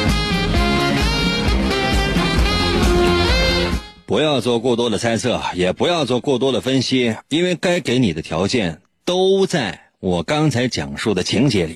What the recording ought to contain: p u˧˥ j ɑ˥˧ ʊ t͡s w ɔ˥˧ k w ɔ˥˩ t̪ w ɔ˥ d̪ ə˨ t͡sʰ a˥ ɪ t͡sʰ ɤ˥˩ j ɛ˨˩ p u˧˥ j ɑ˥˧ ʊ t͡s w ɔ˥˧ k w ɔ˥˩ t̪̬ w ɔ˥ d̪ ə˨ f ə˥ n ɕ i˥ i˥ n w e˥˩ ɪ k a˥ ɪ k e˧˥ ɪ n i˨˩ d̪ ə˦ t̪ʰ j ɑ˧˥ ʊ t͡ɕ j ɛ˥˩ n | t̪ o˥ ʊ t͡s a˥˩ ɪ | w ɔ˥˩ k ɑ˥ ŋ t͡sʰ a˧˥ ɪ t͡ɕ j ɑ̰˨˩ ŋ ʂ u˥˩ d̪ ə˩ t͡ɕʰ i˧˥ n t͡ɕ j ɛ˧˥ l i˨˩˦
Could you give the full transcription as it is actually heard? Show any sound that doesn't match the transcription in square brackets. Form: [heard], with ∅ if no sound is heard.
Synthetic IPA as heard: p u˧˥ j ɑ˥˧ ʊ t͡s w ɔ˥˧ k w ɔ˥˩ t̪ w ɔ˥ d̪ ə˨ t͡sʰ a˥ ɪ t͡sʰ ɤ˥˩ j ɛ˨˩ p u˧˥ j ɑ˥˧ ʊ t͡s w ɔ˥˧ k w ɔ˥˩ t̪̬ w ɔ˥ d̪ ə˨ f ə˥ n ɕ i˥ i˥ n w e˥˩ ɪ k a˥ ɪ k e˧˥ ɪ n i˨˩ d̪ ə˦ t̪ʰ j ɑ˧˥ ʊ t͡ɕ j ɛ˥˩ n | t̪ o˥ ʊ t͡s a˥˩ ɪ | w [ɔ˨˩] k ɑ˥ ŋ t͡sʰ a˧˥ ɪ t͡ɕ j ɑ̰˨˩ ŋ ʂ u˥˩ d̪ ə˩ t͡ɕʰ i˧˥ [ŋ] t͡ɕ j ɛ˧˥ l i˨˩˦